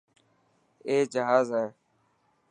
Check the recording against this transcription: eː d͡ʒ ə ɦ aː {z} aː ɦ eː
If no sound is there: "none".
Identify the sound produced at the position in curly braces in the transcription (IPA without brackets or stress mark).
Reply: z